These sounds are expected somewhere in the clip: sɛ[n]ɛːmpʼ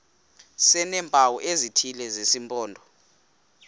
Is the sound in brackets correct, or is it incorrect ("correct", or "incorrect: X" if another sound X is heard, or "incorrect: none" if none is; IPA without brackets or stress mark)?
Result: correct